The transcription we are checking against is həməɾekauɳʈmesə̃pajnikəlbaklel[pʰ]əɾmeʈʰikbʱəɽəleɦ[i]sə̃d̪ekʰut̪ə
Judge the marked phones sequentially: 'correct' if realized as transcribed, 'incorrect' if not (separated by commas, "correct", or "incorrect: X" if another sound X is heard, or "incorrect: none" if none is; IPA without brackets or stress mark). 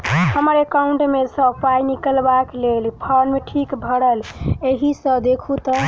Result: correct, correct